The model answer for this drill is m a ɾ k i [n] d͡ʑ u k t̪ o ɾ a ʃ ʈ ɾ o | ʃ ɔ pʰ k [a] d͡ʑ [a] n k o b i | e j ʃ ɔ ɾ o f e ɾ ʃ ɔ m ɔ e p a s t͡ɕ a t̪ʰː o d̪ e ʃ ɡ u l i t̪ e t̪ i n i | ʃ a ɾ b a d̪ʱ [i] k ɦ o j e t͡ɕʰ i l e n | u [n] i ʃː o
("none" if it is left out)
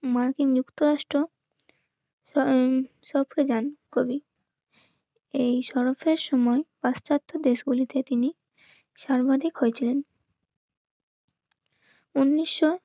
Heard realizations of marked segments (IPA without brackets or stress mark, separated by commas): ŋ, e, a, i, nː